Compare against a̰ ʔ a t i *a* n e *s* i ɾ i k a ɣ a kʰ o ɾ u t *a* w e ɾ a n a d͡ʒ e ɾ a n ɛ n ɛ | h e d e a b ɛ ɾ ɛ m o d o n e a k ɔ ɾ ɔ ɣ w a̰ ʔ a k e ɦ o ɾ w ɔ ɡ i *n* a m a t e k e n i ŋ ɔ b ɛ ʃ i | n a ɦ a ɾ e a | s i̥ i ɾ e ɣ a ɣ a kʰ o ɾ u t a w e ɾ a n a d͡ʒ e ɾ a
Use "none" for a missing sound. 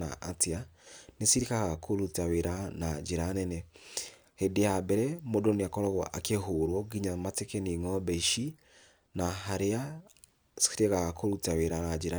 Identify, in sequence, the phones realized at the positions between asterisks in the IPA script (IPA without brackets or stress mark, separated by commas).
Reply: a, s, a, ɲ